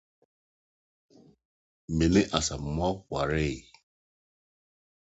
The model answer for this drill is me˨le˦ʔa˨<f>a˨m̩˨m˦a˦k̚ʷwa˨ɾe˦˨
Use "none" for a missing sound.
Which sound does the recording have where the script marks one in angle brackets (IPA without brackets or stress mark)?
s